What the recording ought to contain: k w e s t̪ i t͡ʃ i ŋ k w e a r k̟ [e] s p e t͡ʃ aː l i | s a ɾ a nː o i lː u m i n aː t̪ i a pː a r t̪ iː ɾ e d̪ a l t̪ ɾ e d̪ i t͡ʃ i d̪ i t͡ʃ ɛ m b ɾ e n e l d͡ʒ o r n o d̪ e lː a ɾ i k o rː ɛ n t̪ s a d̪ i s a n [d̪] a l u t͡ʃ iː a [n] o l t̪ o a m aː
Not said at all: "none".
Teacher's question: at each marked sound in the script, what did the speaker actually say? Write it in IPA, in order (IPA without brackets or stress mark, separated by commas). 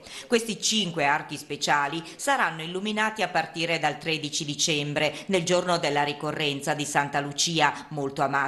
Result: i, t̪, m